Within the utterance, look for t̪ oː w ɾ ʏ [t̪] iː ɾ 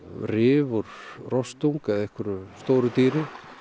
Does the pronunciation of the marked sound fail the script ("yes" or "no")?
no